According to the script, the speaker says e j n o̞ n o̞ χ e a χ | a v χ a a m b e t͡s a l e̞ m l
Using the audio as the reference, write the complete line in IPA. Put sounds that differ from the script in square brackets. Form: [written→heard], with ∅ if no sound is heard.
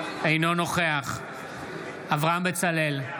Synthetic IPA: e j n o̞ n o̞ χ e a χ | a v [χ→ʁ] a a m b e t͡s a l e̞ [m→∅] l

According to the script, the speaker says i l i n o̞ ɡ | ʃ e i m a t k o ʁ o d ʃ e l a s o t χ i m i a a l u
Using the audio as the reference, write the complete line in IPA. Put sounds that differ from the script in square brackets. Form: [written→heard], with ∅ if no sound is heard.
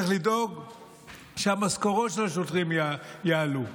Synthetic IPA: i l i [n→d] o̞ ɡ | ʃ e [i→a] m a [t→s] k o ʁ o [d→t] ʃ e l a [s→ʃ] o t [χ→ʁ] i m [i→j] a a l u

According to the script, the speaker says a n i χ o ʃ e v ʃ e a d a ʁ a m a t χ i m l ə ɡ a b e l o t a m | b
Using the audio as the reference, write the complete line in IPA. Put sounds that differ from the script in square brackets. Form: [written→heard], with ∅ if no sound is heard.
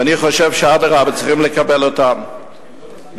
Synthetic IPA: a n i χ o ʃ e v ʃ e a d a ʁ a [m→b] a [t→t͡s] χ i m l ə [ɡ→k] a b e l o t a m | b

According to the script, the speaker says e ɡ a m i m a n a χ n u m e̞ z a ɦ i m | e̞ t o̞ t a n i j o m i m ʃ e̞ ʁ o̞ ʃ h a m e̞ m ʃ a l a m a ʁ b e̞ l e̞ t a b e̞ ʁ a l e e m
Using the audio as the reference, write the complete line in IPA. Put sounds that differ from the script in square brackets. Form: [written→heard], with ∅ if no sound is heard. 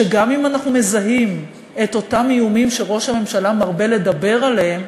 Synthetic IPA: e ɡ a m i m a n a χ n u m e̞ z a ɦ i m | e̞ t o̞ t a [n→m] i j [o→u] m i m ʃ e̞ ʁ o̞ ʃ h a m e̞ m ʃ a l a m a ʁ b e̞ l e̞ [t→d] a b e̞ ʁ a l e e m

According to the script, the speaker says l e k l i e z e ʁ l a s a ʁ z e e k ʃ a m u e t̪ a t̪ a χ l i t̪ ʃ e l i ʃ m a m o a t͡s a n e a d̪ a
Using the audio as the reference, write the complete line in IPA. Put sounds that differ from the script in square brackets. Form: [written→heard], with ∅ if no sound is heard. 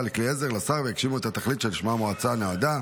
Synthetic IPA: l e k l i e z e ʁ l a s a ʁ [z→v] e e k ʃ [a→i] m u e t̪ a t̪ a χ l i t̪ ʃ e l i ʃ m a m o a t͡s a n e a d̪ a

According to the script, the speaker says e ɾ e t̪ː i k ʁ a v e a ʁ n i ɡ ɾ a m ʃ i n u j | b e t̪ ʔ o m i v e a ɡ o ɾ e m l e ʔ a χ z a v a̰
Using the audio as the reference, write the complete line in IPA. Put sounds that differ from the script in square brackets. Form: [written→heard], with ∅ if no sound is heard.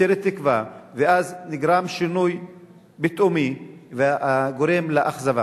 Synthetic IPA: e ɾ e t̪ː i k [ʁ→v] a v e a [ʁ→z] n i ɡ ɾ a m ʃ i n u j | b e t̪ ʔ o m i v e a ɡ o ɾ e m l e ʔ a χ z a v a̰

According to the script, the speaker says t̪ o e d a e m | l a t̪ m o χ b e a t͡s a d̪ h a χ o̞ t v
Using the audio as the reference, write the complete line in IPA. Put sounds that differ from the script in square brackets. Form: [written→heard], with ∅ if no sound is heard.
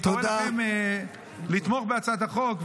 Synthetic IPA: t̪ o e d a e m | l [a→i] t̪ m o χ b e a t͡s a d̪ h a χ o̞ [t→k] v

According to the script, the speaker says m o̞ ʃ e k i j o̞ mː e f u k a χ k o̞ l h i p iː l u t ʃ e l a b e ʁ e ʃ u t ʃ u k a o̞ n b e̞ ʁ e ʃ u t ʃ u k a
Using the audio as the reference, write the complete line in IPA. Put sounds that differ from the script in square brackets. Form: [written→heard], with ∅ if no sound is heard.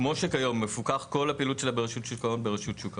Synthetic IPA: m o̞ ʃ e k [i→a] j o̞ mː e f u k a χ k o̞ l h [i→a] p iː l u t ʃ e l a b e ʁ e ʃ u t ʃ u k a o̞ n b e̞ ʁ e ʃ u t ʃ u k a

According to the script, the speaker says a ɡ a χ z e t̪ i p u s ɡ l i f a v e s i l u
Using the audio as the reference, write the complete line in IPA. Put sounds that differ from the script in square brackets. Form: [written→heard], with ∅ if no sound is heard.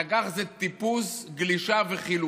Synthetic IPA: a ɡ a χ z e t̪ i p u s ɡ l i [f→ʃ] a v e [s→χ] i l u

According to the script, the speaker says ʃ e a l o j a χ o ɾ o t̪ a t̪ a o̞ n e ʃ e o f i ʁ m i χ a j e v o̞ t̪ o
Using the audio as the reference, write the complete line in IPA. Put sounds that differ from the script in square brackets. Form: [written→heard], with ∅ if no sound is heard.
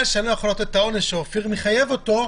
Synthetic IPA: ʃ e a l o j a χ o [ɾ→l] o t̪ [a→e] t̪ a o̞ n e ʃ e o f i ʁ m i χ a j e v o̞ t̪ o

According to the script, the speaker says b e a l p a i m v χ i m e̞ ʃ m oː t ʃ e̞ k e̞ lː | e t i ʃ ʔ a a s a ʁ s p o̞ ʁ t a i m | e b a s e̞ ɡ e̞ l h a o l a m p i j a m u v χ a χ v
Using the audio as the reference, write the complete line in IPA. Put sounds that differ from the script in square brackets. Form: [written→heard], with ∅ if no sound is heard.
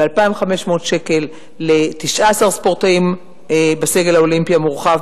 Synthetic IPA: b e a l p a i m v χ [i→a] m e̞ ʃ m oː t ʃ e̞ k e̞ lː | e t i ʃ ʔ a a s a ʁ s p o̞ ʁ t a i m | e b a s e̞ ɡ e̞ l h a o l [a→i] m p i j a m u [v→ʁ] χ a [χ→∅] v

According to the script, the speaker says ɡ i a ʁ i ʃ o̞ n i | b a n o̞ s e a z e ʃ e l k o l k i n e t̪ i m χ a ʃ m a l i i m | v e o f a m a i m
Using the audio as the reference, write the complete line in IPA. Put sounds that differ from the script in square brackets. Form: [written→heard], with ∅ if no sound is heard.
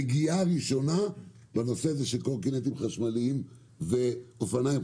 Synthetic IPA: ɡ i a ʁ i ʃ o̞ n [i→a] | b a n o̞ s e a z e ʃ e l k o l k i n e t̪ i m χ a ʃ m a l i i m | v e o f a [m→n] a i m

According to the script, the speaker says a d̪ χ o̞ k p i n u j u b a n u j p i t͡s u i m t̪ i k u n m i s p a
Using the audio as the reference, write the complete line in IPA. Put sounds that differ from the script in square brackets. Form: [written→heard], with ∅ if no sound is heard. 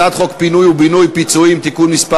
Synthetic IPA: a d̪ χ o̞ k p i n u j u b [a→i] n u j p i t͡s u i m t̪ i k u n m i s p a

